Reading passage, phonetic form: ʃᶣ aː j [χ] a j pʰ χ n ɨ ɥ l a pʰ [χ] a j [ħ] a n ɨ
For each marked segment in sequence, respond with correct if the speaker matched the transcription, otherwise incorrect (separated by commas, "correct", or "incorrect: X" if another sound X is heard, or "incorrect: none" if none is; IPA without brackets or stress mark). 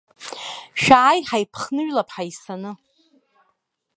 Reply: incorrect: ħ, incorrect: ħ, incorrect: s